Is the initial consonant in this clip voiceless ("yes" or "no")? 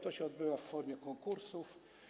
yes